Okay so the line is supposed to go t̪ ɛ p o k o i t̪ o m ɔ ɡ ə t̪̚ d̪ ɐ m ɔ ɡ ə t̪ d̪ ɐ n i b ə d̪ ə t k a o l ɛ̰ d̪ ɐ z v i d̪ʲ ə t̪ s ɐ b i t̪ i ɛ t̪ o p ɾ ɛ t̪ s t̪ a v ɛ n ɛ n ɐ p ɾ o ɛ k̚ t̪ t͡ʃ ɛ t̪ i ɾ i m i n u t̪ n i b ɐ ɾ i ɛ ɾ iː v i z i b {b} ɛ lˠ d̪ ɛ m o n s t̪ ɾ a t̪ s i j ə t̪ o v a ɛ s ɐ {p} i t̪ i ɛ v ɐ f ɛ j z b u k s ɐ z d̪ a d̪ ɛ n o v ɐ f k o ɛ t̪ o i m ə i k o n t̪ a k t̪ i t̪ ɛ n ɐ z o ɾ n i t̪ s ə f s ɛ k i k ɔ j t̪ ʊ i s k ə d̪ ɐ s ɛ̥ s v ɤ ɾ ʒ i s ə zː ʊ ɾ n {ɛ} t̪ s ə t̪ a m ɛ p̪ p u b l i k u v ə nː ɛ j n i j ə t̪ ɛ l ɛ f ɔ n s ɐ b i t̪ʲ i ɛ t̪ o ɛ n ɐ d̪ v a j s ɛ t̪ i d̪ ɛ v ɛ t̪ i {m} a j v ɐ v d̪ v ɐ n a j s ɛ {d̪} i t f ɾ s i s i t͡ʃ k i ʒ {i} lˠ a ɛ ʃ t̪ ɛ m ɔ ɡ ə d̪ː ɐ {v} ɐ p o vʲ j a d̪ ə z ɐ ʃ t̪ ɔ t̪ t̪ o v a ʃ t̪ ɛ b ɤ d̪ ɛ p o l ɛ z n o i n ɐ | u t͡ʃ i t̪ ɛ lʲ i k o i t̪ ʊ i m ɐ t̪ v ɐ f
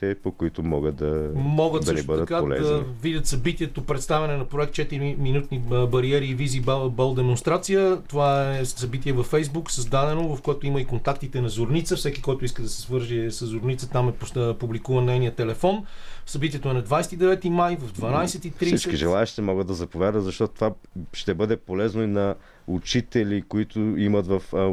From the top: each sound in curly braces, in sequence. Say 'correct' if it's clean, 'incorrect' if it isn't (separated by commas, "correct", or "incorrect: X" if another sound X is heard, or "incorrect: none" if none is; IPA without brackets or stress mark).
correct, incorrect: b, incorrect: i, correct, incorrect: t̪, incorrect: ɛ, incorrect: z